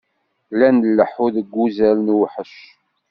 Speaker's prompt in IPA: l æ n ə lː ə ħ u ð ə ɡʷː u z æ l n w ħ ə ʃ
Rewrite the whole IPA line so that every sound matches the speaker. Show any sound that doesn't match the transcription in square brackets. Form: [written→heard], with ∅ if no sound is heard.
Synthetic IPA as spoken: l æ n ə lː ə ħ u ð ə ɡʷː u z æ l n w ħ ə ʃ